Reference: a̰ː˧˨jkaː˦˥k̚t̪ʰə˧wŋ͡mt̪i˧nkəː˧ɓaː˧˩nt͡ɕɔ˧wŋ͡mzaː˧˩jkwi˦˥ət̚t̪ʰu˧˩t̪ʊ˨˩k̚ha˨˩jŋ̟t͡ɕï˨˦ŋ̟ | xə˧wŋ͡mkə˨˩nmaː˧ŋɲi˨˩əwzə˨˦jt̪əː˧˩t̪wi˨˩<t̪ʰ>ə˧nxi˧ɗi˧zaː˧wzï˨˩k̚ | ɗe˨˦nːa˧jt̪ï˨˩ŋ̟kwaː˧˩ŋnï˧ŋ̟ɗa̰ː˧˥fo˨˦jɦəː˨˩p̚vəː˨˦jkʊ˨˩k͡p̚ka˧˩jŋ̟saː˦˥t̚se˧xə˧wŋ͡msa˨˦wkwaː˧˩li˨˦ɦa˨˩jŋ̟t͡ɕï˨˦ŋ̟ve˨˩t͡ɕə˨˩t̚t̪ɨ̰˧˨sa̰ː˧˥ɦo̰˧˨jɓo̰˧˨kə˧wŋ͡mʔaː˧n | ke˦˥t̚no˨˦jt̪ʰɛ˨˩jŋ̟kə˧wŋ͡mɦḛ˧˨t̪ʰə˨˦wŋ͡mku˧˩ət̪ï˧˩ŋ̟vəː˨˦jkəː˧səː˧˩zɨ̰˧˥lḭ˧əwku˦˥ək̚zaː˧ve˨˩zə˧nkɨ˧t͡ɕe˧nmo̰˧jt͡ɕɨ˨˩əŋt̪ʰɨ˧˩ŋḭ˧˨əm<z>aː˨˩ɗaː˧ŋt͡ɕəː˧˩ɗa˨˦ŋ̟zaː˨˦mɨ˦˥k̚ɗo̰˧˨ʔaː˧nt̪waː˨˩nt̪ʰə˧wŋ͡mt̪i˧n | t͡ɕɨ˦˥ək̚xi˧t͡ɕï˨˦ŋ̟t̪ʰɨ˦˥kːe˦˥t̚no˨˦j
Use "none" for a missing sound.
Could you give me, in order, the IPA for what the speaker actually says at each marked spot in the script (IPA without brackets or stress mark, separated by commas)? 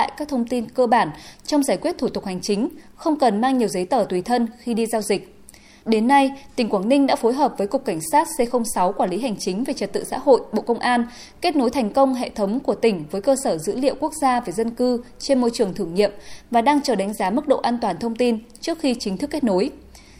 t̪ʰ, v